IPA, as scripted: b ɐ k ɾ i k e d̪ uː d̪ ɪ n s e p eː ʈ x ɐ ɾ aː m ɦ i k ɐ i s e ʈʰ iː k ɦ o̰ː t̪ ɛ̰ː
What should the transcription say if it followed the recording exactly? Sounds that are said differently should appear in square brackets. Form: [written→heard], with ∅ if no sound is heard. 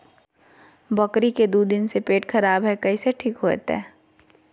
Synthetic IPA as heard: b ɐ k ɾ i k e d̪ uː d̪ ɪ n s e p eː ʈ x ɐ ɾ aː [m→b] ɦ [i→ɛ] k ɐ i s e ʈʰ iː k ɦ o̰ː t̪ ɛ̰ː